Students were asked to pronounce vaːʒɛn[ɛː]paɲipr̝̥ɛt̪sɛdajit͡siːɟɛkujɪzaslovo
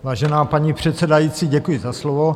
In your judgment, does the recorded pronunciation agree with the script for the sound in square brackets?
no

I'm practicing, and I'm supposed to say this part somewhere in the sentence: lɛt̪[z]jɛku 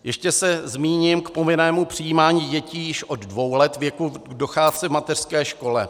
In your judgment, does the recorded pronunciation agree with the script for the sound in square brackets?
no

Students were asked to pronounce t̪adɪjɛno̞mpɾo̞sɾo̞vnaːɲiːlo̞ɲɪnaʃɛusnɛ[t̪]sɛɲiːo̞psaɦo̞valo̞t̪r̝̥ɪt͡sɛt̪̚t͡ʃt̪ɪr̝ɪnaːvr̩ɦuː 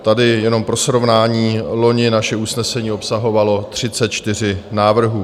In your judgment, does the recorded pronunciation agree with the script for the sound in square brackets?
no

